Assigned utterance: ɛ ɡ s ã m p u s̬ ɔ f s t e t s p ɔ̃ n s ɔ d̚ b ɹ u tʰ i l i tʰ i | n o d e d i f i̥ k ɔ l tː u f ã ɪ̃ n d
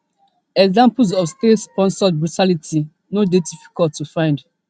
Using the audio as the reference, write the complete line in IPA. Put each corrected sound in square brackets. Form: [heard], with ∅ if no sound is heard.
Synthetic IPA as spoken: ɛ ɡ [z] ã m p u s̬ ɔ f s t e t s p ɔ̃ n s ɔ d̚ b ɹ u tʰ [a] l i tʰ i | n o d e d i f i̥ k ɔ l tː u f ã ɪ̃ n d